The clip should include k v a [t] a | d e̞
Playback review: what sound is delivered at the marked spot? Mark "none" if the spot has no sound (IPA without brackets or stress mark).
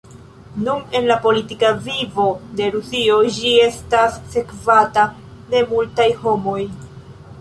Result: t